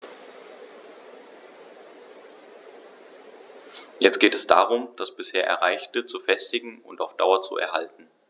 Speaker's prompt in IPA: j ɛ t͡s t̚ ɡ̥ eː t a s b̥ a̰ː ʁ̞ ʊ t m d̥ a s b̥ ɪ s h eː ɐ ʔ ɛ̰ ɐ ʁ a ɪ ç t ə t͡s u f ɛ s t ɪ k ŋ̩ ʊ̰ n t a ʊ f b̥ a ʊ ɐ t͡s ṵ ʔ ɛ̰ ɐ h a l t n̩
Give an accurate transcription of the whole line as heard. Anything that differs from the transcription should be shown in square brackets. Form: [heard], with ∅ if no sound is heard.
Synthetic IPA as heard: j ɛ t͡s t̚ ɡ̥ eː t [ɛ] s [d̥] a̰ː ʁ̞ ʊ [∅] m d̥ a s b̥ ɪ s h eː ɐ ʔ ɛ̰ ɐ ʁ a ɪ ç t ə t͡s u f ɛ s t ɪ [ɡ] ŋ̩ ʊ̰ n t a ʊ f [d̥] a ʊ ɐ t͡s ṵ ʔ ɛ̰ ɐ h a l t n̩